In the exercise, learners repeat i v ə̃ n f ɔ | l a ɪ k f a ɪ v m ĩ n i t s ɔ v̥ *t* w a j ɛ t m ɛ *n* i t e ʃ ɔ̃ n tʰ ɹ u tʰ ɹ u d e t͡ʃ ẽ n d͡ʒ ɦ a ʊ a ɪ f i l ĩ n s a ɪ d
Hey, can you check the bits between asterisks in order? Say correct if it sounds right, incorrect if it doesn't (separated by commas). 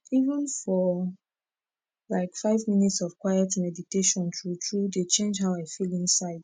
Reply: incorrect, incorrect